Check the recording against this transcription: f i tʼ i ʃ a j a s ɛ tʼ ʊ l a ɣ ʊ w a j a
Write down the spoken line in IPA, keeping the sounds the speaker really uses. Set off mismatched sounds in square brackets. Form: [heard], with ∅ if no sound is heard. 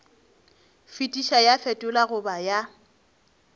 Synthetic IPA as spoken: f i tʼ i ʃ a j a [f] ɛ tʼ ʊ l a ɣ ʊ [b] a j a

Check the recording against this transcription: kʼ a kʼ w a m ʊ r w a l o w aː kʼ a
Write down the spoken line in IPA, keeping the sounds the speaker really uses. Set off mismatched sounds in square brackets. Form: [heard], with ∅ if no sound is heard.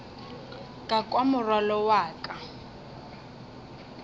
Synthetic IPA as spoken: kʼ a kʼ w a m ʊ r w a l [ɔ] w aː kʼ a

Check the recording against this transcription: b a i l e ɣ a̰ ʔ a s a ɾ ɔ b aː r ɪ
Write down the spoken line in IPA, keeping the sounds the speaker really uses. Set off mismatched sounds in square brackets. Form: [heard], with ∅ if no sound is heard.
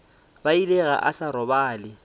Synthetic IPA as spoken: b a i l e ɣ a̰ ʔ a s a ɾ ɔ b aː [l] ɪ

